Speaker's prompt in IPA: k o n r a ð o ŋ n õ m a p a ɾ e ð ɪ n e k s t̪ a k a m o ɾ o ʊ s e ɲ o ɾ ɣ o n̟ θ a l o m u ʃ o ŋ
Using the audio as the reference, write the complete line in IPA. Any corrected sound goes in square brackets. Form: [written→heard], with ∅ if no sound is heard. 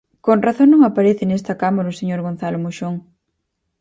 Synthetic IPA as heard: k o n r a [ð→θ] o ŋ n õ [m→ŋ] a p a ɾ e [ð→θ] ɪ n e [k→∅] s t̪ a k a m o ɾ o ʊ s e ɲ o ɾ ɣ o n̟ θ a l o m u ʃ o ŋ